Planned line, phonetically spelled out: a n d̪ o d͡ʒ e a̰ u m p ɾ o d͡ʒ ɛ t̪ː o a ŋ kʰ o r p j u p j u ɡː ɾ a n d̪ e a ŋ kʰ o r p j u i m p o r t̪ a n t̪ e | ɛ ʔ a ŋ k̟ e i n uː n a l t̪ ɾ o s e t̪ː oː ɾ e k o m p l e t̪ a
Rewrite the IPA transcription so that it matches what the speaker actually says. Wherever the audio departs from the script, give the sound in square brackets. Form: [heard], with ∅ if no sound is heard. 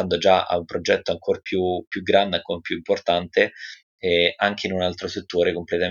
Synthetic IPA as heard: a n d̪ o d͡ʒ [a] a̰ u m p ɾ o d͡ʒ ɛ t̪ː o a ŋ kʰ o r p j u p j u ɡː ɾ a n d̪ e a ŋ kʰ o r p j u i m p o r t̪ a n t̪ e | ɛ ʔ a ŋ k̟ e i n [u] n a l t̪ ɾ o s e t̪ː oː ɾ e k o m p l e t̪ a